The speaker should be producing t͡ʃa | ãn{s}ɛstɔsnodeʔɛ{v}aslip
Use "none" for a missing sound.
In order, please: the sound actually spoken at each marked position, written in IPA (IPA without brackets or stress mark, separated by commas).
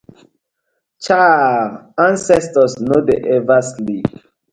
s, v